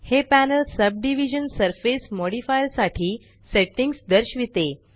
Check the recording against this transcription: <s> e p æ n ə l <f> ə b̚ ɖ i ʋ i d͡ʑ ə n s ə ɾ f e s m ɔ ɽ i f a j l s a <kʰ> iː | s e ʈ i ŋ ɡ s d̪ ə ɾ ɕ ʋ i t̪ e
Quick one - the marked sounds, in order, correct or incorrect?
incorrect: h, incorrect: s, incorrect: ʈʰ

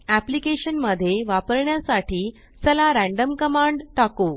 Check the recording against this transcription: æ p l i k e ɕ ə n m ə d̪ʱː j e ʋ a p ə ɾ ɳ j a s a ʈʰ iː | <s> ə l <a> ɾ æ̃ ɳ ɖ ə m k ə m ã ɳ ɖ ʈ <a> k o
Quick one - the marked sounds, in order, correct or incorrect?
correct, correct, correct

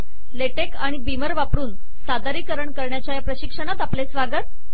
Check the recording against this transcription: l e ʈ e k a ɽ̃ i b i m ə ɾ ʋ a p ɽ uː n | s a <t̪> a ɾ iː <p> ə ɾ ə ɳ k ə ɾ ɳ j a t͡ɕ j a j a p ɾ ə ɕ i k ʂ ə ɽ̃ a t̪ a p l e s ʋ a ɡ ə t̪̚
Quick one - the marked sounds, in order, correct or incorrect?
incorrect: d̪, incorrect: k

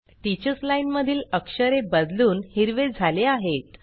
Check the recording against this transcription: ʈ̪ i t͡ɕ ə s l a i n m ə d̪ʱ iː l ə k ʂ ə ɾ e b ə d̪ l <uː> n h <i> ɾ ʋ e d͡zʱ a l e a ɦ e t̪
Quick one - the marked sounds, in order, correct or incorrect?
correct, correct

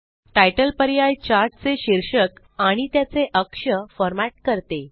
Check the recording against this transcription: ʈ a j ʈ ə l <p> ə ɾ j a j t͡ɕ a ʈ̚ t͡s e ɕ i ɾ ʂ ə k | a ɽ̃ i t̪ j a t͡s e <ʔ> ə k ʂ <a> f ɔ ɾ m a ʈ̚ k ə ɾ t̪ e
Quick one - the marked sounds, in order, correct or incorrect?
correct, correct, incorrect: ə

